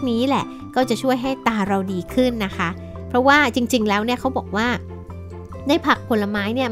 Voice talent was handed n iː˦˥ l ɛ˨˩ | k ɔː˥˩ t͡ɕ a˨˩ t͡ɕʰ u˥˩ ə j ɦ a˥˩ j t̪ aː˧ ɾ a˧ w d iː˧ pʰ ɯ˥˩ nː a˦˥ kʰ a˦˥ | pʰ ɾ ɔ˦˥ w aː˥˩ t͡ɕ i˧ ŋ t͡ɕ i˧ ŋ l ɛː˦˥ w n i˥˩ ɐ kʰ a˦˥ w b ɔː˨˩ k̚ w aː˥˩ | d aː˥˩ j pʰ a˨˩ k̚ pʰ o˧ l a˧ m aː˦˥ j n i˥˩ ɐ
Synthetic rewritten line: n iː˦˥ l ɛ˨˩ | k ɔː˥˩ t͡ɕ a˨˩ t͡ɕʰ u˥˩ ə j ɦ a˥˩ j t̪ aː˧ ɾ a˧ w d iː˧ kʰ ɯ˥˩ nː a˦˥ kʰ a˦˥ | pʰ ɾ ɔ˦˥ w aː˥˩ t͡ɕ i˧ ŋ t͡ɕ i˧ ŋ l ɛː˦˥ w n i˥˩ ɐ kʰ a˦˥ w b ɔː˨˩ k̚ w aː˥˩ | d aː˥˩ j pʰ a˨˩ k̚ pʰ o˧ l a˧ m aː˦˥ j n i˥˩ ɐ